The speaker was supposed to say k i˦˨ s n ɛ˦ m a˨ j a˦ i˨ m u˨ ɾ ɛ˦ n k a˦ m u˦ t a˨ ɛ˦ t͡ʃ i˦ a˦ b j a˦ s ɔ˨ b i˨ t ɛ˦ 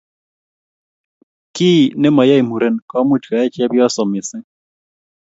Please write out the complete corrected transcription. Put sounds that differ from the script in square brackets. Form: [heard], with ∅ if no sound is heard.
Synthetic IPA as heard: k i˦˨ [∅] n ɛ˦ m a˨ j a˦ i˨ m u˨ ɾ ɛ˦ n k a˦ m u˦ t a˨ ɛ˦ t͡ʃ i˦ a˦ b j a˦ s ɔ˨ [m] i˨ [s] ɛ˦